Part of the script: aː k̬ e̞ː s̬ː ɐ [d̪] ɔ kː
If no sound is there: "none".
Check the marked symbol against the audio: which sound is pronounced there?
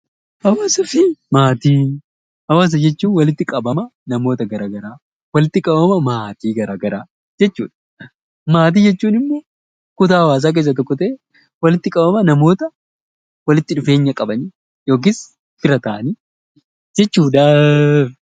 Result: t̪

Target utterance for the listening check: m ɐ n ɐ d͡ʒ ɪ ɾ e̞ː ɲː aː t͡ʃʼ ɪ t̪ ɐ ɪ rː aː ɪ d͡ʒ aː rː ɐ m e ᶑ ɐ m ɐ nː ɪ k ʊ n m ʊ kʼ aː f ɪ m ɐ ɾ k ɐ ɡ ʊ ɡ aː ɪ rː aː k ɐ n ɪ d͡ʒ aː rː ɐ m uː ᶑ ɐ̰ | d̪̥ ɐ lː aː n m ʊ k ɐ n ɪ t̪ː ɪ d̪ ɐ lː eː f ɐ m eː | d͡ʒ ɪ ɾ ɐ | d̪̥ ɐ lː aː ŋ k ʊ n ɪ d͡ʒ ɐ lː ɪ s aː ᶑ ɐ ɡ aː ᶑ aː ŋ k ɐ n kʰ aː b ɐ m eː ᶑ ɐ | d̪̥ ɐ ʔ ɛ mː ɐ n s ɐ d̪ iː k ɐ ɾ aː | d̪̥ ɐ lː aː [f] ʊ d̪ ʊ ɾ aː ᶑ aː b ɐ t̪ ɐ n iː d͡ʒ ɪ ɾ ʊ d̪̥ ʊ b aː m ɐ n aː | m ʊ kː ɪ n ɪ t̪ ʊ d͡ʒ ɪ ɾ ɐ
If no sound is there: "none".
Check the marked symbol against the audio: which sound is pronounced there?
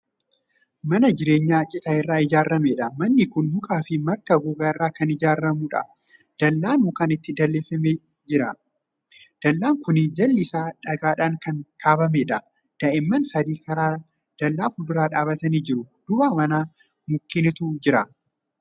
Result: f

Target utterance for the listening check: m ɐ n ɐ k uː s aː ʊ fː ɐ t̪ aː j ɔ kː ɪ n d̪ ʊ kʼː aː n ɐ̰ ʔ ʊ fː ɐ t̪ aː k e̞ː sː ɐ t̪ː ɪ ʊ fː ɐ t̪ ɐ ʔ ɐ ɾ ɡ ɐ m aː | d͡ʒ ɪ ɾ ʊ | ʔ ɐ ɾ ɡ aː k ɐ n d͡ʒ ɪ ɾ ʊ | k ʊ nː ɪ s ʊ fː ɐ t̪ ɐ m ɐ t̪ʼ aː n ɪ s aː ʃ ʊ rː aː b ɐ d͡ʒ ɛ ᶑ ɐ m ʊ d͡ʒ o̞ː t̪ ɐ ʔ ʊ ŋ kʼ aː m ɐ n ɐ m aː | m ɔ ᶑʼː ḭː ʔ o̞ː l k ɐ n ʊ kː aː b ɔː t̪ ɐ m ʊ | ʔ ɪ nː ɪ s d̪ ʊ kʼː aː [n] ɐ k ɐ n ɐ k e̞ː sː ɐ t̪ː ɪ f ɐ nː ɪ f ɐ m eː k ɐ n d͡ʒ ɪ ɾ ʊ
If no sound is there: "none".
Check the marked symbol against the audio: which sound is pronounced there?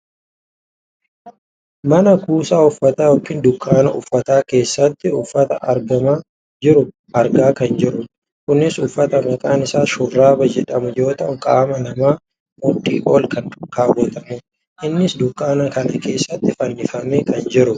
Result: n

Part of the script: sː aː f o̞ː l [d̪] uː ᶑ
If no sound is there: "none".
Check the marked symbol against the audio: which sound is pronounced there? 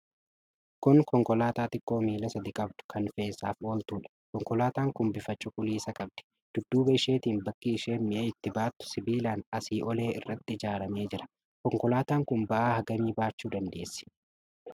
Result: t̪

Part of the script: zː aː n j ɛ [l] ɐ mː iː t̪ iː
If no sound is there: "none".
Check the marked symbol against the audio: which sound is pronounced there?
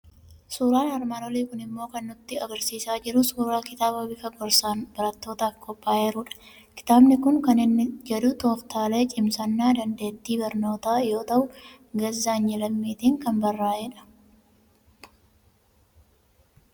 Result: l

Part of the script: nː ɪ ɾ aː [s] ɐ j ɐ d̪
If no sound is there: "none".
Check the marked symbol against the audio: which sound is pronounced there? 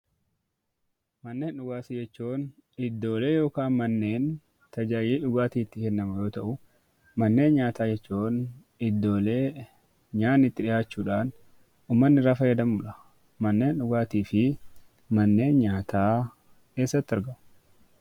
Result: f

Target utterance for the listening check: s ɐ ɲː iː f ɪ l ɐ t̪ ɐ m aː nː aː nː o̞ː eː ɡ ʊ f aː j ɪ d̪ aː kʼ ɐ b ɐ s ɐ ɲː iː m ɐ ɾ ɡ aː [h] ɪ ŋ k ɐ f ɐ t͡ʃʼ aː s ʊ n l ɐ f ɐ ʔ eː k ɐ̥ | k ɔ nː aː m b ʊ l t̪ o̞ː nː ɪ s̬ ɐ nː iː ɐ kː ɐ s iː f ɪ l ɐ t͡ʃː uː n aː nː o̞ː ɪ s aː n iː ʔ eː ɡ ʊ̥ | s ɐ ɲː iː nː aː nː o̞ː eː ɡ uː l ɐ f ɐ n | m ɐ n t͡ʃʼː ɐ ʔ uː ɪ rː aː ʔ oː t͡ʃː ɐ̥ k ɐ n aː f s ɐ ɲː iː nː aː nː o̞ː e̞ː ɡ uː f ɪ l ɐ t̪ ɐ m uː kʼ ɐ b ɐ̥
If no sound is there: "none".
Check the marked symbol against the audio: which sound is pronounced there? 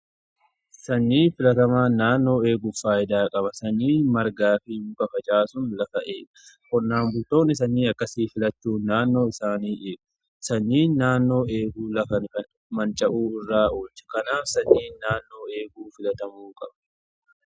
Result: f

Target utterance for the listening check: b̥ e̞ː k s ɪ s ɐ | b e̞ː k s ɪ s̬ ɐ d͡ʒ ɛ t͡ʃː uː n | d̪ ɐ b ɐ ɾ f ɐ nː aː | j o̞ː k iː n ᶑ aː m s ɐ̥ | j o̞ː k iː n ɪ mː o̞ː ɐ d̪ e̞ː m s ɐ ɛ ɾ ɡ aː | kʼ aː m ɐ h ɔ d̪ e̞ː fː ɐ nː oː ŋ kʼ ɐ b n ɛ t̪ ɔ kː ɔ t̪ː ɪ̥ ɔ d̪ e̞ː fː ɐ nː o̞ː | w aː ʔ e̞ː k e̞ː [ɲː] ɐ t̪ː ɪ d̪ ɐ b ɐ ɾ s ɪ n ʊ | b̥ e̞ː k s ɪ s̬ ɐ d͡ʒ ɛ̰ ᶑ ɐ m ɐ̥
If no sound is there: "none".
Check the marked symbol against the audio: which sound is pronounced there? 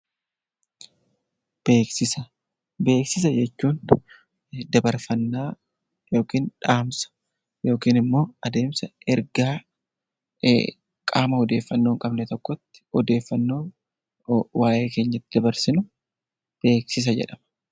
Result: ɲː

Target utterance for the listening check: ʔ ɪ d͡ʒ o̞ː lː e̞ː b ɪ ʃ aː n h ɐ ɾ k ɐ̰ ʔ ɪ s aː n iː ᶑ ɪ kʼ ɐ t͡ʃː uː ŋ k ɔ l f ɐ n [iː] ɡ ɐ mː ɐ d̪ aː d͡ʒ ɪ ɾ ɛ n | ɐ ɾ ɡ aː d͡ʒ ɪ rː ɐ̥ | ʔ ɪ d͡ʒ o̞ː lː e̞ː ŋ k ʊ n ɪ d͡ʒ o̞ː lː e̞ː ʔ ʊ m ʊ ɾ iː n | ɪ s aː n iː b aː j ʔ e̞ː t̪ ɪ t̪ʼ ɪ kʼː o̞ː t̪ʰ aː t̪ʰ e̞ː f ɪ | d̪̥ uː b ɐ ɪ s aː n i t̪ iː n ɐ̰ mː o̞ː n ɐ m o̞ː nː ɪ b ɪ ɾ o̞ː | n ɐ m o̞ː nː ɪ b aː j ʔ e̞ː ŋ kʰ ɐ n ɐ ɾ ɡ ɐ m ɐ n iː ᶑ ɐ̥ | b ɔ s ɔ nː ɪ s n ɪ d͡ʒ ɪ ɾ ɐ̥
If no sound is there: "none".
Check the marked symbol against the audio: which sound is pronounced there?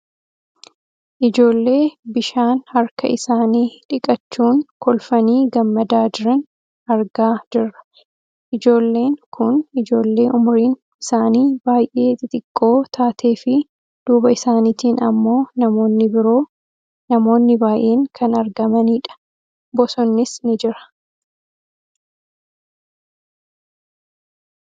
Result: iː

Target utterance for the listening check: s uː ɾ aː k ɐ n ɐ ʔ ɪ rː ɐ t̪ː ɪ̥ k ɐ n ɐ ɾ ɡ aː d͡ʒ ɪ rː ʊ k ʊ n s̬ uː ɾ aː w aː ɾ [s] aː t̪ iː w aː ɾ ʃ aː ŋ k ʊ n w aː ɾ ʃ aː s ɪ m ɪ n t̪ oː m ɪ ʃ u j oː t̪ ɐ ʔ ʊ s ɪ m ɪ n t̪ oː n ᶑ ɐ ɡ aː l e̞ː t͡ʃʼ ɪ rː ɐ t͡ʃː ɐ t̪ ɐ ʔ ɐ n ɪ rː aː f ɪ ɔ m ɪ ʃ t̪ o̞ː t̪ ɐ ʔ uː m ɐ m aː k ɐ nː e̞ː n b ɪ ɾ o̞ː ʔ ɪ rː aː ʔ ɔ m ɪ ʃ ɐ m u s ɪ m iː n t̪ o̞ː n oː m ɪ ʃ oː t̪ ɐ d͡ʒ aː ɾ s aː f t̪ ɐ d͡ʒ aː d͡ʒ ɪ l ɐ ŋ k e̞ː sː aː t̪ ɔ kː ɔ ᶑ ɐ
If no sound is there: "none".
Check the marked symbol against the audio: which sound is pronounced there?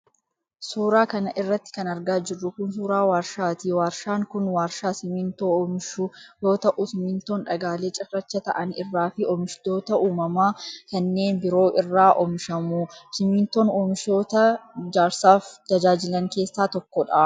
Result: ʃ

